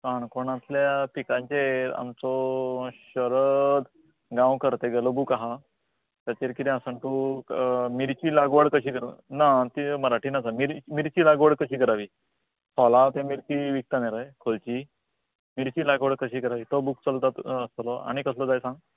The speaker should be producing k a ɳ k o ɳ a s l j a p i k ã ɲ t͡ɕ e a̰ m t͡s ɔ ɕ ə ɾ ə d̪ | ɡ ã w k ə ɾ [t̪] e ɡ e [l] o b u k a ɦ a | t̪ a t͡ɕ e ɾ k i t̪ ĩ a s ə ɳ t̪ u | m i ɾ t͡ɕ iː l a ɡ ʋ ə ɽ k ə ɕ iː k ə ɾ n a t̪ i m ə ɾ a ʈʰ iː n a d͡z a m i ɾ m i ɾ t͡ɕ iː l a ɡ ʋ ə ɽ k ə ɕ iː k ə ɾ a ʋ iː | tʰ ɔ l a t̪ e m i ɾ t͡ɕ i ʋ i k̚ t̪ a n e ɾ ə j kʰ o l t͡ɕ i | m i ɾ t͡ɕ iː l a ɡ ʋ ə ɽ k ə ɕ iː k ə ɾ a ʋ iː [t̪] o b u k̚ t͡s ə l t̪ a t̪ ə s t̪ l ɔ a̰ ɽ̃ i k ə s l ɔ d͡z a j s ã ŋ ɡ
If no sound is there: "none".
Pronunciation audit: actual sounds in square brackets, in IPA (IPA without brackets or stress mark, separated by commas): t̪, l, t̪